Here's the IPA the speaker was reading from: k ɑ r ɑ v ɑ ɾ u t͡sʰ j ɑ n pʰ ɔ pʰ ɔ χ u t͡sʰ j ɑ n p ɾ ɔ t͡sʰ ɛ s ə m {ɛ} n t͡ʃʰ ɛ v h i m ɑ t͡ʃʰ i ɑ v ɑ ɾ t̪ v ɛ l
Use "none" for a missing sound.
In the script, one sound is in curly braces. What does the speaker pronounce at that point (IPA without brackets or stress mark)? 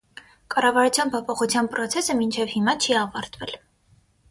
i